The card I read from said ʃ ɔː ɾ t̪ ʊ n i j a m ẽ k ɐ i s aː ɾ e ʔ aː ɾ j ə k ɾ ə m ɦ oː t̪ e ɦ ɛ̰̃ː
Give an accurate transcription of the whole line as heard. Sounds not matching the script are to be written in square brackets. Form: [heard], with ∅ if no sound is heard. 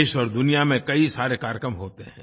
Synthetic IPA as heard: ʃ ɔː ɾ [d̪] ʊ n i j a m ẽ k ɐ i s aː ɾ e [k] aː ɾ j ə k ɾ ə m ɦ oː t̪ e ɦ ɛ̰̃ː